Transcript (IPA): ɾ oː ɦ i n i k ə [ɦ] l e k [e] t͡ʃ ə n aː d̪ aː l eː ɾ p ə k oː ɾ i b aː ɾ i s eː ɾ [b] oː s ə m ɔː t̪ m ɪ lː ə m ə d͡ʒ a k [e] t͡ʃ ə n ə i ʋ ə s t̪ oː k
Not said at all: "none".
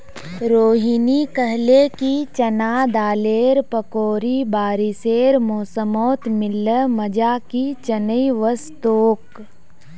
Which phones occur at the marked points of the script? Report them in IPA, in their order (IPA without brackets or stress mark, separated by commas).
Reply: ɦ, i, m, i